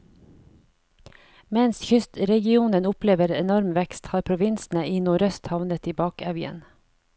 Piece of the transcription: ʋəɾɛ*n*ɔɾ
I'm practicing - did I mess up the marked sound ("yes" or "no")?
no